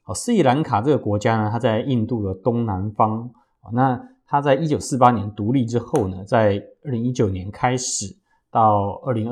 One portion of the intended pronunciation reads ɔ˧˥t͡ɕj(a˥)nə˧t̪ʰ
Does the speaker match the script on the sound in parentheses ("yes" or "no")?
yes